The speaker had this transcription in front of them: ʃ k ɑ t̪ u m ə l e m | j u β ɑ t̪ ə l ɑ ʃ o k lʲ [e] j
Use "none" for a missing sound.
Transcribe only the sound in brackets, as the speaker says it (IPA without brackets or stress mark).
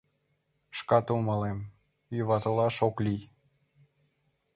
i